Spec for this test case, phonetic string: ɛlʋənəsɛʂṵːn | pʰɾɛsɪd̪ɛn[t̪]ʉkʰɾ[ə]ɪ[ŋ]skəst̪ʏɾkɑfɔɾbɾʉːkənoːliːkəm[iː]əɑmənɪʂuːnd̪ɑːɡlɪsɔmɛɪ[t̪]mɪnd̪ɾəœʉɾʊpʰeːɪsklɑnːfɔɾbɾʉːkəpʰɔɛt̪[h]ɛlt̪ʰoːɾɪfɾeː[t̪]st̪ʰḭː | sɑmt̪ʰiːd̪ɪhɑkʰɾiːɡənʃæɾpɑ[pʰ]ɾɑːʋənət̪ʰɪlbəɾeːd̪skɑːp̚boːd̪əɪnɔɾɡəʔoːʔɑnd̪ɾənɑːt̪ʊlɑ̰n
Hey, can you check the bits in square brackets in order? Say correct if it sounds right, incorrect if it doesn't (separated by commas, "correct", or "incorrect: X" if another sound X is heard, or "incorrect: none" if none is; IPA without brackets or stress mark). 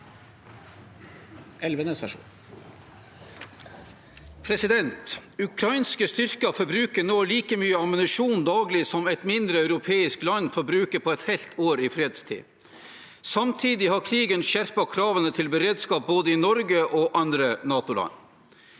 correct, incorrect: ɑ, incorrect: n, incorrect: yː, correct, correct, incorrect: d̪, incorrect: kʰ